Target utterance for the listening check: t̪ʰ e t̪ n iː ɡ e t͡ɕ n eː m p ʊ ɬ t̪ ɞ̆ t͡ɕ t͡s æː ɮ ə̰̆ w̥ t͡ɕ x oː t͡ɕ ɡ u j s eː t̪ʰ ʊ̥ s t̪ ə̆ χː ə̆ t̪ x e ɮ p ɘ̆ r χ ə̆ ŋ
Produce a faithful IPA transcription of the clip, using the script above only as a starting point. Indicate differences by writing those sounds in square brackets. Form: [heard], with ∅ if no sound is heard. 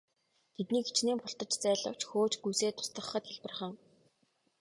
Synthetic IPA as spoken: t̪ʰ e t̪ n iː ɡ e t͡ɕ n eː m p ʊ ɬ t̪ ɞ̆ t͡ɕ t͡s æː ɮ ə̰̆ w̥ t͡ɕ x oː t͡ɕ ɡ u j s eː t̪ʰ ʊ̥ s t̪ ə̆ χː ə̆ t̪ x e ɮ p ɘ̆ r χ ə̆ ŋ